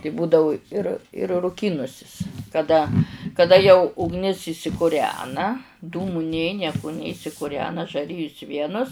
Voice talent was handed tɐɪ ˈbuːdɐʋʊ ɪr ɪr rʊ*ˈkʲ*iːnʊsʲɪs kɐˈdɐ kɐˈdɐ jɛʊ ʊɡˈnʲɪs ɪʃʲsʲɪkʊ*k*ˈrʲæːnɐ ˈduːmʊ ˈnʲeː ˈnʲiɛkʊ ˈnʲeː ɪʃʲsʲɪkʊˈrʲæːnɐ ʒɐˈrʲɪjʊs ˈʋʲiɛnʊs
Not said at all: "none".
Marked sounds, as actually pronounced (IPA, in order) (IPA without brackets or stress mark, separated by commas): kʲ, none